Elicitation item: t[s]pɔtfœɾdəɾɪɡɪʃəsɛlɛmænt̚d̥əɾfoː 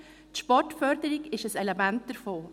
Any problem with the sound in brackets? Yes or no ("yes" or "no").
yes